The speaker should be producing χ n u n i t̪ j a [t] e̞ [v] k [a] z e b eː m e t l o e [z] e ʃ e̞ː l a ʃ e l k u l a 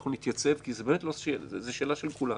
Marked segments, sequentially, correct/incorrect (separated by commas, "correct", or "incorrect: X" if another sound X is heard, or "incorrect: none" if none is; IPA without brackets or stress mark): incorrect: t͡s, correct, incorrect: i, correct